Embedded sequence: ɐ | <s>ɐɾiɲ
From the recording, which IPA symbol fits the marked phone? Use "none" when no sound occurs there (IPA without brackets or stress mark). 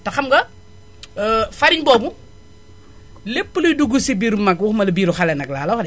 f